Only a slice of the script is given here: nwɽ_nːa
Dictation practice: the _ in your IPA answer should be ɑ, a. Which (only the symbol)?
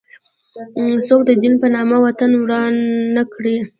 ɑ